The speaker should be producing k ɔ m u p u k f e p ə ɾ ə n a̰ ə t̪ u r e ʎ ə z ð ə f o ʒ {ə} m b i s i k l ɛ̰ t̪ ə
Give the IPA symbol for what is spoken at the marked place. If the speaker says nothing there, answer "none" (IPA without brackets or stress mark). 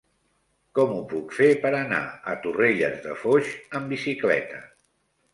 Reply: ə